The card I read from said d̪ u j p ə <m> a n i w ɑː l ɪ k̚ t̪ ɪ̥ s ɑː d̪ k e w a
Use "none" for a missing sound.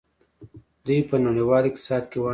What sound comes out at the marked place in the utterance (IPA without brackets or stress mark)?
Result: n